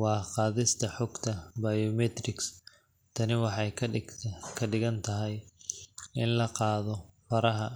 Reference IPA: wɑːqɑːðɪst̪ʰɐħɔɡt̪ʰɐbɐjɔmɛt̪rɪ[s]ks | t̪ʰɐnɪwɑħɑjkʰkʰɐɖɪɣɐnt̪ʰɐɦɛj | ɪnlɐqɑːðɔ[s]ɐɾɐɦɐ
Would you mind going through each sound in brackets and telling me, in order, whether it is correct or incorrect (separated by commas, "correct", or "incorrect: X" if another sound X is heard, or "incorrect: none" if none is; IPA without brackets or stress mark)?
incorrect: none, incorrect: f